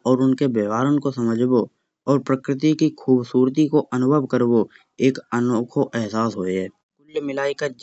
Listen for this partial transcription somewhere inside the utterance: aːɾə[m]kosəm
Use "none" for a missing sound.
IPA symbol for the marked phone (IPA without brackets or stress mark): n